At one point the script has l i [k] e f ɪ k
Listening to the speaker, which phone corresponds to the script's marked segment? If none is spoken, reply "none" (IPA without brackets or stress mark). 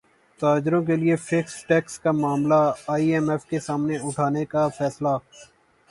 none